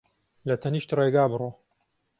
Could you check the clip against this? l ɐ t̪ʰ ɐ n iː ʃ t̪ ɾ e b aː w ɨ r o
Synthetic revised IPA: l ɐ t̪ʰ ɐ n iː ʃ t̪ r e ɡ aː b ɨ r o